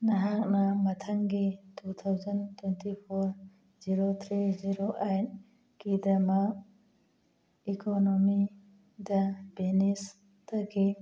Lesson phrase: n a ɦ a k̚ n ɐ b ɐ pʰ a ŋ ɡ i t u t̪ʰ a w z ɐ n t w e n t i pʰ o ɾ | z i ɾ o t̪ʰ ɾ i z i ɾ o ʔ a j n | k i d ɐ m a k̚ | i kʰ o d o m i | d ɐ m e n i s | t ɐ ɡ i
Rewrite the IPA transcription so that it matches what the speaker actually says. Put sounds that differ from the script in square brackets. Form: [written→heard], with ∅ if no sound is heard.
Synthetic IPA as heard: n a ɦ a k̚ n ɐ [b→m] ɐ [pʰ→tʰ] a ŋ ɡ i t u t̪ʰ a w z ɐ n t w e n t i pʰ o ɾ | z i ɾ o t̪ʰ ɾ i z i ɾ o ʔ a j n | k i d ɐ m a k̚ | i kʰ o [d→n] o m i | d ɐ [m→b] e n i s | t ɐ ɡ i